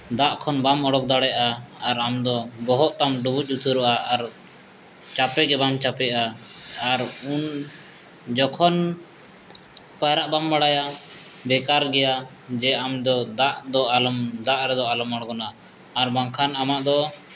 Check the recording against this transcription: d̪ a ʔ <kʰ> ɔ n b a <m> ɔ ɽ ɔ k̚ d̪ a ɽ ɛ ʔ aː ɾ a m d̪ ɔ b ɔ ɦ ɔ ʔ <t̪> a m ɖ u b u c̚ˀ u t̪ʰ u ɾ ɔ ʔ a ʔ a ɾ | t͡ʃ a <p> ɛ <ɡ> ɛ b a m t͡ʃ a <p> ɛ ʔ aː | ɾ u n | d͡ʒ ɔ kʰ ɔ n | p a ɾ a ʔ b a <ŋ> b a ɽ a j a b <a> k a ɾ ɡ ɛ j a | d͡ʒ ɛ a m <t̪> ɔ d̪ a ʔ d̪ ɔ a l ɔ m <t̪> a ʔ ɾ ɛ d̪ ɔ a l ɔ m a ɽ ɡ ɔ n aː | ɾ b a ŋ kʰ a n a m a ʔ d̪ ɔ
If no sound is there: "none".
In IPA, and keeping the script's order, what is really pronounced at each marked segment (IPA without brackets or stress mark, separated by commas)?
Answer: kʰ, m, t̪, p, ɡ, p, m, ɛ, d̪, d̪